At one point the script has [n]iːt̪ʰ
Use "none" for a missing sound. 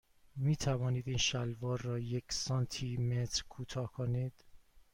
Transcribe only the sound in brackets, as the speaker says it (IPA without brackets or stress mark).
m